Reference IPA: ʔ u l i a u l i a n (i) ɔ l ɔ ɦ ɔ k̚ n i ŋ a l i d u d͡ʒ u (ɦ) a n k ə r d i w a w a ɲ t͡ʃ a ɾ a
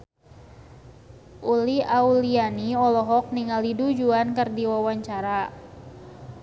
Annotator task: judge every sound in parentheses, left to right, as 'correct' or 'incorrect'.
correct, incorrect

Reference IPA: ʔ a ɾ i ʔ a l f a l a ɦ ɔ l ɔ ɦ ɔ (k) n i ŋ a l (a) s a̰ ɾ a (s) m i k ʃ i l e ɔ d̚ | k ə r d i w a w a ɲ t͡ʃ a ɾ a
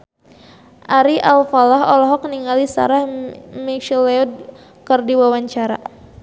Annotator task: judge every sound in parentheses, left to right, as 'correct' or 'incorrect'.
correct, incorrect, incorrect

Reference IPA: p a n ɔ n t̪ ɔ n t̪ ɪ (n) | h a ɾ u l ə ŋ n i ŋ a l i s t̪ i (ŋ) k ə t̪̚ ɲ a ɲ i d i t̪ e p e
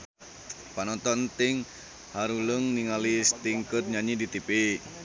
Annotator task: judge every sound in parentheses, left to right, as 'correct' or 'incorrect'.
incorrect, correct

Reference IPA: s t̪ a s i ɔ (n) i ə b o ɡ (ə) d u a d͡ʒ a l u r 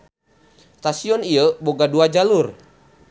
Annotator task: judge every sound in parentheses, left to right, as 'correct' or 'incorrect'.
correct, incorrect

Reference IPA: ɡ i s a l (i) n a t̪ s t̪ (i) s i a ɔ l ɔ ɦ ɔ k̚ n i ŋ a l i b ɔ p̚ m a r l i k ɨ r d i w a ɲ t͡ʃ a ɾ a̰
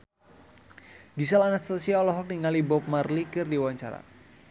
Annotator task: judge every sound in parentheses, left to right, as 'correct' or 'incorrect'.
incorrect, incorrect

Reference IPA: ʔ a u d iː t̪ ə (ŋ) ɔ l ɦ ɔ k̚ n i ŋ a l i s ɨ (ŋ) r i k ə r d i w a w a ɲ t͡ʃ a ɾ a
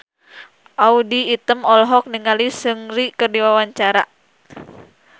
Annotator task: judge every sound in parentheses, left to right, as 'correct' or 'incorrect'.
incorrect, correct

